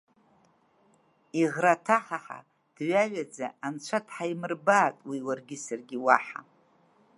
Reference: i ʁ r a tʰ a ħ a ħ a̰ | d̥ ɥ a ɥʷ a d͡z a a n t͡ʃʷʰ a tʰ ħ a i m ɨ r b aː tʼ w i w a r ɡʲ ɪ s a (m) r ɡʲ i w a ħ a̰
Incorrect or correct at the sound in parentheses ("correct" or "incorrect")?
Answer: incorrect